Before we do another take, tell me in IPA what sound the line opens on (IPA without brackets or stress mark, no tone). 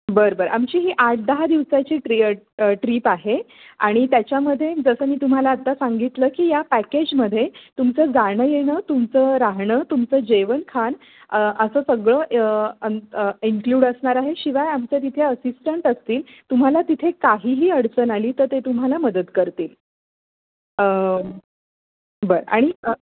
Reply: b